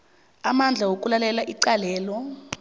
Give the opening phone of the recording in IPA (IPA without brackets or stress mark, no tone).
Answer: a